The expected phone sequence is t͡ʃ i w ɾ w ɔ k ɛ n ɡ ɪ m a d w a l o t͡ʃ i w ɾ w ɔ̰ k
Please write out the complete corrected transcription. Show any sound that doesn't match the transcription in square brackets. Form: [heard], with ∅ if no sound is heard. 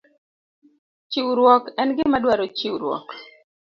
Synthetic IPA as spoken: t͡ʃ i w ɾ w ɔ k ɛ n ɡ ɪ m a d w a [ɾ] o t͡ʃ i w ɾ w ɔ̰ k